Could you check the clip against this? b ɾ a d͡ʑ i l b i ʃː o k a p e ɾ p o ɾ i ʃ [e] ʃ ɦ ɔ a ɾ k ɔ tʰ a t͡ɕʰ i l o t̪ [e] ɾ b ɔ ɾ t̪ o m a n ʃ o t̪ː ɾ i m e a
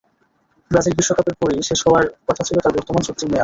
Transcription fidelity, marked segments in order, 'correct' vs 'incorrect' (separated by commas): correct, incorrect